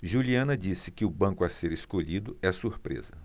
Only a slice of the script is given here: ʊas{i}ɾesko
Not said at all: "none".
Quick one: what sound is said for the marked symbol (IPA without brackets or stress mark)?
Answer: e